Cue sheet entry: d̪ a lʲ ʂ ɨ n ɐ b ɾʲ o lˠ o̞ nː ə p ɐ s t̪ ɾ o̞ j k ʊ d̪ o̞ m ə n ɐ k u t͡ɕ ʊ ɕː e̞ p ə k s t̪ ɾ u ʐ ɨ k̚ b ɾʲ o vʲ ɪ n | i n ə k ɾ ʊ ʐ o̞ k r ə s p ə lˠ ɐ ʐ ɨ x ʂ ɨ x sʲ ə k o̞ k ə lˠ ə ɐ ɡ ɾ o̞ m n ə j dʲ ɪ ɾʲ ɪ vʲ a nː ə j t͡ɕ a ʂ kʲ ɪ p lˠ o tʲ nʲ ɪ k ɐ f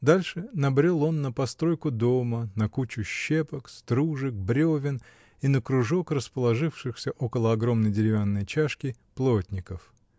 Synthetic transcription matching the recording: d̪ a lʲ ʂ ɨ n ɐ b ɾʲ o lˠ o̞ nː ə p ɐ s t̪ ɾ o̞ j k ʊ d̪ o̞ m ə n ɐ k u t͡ɕ ʊ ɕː e̞ p ə k s t̪ ɾ u ʐ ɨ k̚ b ɾʲ o vʲ ɪ n | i n ə k ɾ ʊ ʐ o̞ k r ə s p ə lˠ ɐ ʐ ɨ f ʂ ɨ x sʲ ə ʔ o̞ k ə lˠ ə ɐ ɡ ɾ o̞ m n ə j dʲ ɪ ɾʲ ɪ vʲ a nː ə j t͡ɕ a ʂ kʲ ɪ p lˠ o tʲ nʲ ɪ k ə f